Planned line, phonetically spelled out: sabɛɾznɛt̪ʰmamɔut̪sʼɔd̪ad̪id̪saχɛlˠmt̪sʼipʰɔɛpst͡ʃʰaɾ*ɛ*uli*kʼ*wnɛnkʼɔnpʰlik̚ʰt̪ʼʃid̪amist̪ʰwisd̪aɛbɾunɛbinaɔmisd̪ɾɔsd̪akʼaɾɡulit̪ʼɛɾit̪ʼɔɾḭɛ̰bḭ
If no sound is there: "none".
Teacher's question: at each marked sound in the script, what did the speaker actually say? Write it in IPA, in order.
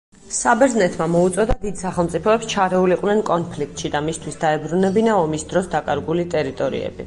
ɛ, qʼ

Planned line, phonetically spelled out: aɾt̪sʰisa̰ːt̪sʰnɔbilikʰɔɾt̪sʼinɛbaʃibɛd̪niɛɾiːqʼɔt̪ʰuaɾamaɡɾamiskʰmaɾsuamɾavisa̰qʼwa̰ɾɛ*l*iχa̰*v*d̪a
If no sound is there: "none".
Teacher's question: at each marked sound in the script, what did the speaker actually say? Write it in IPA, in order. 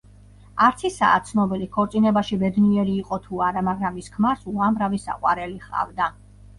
l, v

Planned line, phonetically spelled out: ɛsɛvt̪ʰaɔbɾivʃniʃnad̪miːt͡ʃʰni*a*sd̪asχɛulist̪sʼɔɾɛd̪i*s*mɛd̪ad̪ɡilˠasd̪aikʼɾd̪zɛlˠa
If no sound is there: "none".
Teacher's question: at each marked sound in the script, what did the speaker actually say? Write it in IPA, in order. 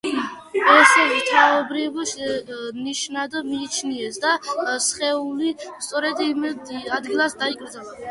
ɛ, none

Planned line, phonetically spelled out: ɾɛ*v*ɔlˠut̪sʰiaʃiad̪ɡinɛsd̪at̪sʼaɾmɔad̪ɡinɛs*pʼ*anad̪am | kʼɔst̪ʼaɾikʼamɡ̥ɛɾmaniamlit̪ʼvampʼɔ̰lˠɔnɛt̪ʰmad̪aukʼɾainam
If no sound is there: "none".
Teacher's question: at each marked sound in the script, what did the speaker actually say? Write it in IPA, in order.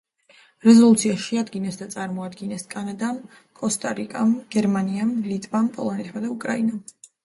z, kʼ

